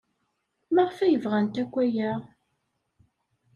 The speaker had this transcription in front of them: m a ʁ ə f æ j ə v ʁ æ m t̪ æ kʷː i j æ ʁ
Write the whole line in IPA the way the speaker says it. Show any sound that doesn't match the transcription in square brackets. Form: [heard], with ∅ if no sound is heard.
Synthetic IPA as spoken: m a ʁ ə f æ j ə v ʁ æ [n] t̪ æ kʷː [æ] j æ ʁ